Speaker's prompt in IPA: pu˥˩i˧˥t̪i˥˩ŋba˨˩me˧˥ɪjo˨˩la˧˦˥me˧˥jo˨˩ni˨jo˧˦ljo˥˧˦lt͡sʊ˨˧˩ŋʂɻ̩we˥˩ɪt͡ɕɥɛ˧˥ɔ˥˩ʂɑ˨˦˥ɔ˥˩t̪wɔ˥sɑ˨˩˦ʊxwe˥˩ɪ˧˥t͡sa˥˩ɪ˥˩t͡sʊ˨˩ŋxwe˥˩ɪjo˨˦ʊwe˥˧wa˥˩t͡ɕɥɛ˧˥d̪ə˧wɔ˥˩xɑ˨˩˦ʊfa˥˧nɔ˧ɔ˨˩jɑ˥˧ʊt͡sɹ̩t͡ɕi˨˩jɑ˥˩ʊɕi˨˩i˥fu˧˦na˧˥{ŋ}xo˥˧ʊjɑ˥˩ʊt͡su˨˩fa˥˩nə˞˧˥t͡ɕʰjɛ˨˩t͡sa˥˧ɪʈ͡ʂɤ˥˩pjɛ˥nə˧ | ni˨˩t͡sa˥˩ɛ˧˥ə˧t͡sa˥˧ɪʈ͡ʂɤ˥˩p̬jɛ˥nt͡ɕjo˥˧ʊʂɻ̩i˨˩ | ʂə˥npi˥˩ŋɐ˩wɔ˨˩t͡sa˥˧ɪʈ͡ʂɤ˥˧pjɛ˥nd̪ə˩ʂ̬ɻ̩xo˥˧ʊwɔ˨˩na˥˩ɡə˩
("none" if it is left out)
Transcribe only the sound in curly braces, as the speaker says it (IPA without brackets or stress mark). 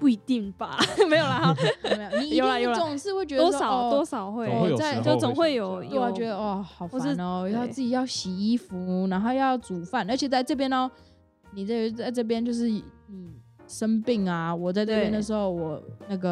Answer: n